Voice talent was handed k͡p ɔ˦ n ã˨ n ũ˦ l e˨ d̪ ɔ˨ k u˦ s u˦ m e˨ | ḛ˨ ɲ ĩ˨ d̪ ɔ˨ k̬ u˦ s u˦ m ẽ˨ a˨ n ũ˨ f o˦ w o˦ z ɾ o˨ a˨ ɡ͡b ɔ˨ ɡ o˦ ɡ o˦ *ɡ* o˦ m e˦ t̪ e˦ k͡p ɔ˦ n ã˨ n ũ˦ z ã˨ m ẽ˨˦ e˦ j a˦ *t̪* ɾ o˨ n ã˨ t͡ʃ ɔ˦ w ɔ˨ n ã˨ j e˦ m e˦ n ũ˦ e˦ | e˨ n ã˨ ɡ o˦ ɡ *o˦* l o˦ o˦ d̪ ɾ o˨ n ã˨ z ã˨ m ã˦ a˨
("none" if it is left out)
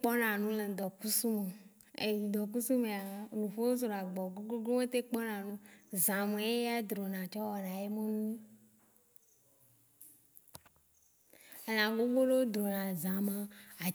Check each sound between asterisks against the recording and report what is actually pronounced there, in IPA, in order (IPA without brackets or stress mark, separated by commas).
ɡ, d̪, o˦